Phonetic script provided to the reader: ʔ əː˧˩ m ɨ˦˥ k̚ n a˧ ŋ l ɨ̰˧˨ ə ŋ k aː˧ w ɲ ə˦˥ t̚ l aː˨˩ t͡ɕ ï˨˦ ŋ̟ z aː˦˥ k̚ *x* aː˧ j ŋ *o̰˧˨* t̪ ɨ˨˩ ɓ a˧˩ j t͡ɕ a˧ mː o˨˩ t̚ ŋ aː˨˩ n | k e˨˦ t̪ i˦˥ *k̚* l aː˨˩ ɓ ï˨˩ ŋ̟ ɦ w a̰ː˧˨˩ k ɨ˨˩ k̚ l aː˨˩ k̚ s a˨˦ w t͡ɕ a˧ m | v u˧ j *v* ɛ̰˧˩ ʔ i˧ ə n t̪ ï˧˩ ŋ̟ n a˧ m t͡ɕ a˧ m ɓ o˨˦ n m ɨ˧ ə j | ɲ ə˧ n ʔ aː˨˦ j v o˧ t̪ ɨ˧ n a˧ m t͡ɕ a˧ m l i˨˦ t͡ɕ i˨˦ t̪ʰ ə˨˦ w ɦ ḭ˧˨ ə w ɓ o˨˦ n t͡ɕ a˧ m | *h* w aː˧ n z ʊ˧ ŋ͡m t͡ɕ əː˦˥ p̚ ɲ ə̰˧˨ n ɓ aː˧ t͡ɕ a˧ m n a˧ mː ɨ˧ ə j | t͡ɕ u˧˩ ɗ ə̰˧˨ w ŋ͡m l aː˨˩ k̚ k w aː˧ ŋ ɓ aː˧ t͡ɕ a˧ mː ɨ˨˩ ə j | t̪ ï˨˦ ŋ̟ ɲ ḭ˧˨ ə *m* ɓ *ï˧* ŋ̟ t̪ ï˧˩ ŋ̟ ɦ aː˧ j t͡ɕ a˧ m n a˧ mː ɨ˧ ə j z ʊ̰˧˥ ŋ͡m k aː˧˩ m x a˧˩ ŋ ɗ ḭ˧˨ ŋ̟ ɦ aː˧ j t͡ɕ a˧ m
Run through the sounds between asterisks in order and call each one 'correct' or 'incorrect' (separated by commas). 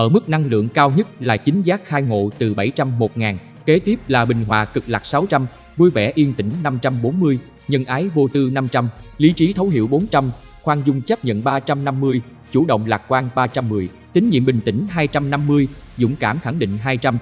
correct, correct, incorrect, correct, incorrect, correct, incorrect